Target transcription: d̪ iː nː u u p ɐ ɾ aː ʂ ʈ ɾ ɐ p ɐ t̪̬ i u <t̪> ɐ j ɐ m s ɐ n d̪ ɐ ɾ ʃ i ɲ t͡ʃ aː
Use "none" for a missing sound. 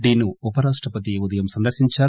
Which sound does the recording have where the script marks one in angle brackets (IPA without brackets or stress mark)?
d̪